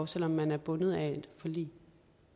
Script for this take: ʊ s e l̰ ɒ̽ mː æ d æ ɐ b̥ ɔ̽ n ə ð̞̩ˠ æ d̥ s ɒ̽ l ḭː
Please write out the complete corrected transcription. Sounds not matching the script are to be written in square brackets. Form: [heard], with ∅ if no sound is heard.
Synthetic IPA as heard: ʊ s e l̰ ɒ̽ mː æ [n] æ ɐ b̥ ɔ̽ n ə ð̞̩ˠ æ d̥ [f] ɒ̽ l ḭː